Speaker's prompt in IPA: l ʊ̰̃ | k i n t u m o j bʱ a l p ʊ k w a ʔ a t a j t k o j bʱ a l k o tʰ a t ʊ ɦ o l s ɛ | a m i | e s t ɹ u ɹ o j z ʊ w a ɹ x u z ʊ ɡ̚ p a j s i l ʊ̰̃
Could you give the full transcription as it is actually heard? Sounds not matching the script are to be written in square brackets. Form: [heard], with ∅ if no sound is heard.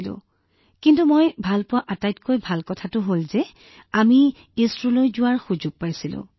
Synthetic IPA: l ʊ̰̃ | k i n t u m o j bʱ a l p ʊ [∅] w a ʔ a t a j t k o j bʱ a l k [ɔ] tʰ a t ʊ ɦ o l [z] ɛ | a m i | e s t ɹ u [l] o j z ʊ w a ɹ x u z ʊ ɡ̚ p a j s i l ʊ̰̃